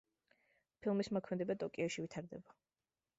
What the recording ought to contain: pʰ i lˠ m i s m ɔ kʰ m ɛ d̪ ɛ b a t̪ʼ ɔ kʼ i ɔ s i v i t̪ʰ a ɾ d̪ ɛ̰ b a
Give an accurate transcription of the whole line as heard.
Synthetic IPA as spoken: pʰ i lˠ m i s m ɔ kʰ m ɛ d̪ ɛ b a t̪ʼ ɔ kʼ i ɔ ʃ i v i t̪ʰ a ɾ d̪ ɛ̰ b a